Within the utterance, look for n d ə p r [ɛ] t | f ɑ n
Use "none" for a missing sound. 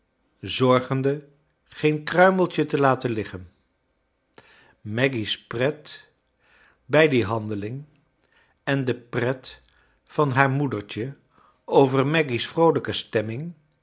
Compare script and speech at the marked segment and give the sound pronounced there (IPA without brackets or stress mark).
ɛ